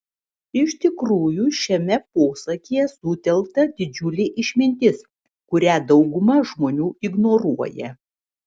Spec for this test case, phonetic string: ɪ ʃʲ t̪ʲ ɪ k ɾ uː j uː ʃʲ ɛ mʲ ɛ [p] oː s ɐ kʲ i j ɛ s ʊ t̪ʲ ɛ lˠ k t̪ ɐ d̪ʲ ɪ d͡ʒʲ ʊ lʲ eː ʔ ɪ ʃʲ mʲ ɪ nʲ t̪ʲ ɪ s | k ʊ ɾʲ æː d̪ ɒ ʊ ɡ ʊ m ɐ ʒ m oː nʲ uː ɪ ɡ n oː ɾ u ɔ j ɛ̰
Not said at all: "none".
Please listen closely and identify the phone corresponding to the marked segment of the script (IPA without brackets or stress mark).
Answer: p